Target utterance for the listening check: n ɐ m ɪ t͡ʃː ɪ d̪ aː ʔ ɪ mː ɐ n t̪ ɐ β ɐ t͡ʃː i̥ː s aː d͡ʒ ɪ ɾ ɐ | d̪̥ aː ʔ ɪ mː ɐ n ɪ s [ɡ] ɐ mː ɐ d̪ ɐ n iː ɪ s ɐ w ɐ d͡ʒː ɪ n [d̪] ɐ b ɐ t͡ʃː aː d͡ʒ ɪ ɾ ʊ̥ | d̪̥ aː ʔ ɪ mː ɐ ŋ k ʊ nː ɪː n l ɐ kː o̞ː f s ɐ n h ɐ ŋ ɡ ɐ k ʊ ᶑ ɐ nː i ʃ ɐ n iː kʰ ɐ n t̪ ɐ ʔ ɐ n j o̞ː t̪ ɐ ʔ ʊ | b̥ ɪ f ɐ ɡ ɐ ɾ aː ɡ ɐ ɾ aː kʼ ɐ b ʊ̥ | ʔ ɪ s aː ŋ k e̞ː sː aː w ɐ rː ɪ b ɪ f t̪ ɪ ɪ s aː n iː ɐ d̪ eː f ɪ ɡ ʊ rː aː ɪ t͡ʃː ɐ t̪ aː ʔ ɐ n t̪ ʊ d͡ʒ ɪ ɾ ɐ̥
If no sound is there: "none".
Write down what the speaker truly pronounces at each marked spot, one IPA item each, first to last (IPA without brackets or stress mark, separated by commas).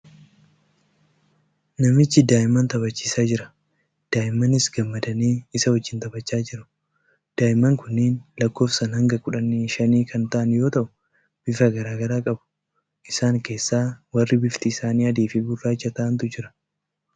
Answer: ɡ, t̪